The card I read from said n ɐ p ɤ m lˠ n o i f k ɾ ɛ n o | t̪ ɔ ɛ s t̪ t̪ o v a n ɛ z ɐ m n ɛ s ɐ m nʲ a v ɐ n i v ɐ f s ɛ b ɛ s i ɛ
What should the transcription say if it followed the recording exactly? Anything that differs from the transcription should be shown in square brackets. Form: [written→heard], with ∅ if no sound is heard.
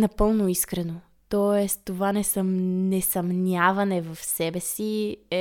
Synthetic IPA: n ɐ p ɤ [m→∅] lˠ n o i [f→s] k ɾ ɛ n o | t̪ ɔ ɛ s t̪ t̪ o v a n ɛ [z→s] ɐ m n ɛ s ɐ m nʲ a v ɐ n [i→ɛ] v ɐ f s ɛ b ɛ s i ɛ